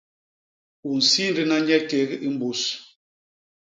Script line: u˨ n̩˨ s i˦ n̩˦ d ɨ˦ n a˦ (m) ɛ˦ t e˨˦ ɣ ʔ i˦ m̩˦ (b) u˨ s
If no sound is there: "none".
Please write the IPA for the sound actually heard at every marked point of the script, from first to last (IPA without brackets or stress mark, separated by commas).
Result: ɲ, b